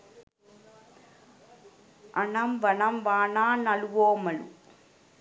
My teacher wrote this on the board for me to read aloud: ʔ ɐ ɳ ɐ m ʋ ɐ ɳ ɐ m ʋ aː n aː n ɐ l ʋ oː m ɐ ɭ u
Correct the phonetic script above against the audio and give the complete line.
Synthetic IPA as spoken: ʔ ɐ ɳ ɐ m ʋ ɐ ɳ ɐ m ʋ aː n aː n ɐ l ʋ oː m ɐ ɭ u